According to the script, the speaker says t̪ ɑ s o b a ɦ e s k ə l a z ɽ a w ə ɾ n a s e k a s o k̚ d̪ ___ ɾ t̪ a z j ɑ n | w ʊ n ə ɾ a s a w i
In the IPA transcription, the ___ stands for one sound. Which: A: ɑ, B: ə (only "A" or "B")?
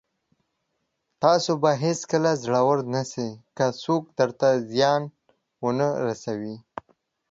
B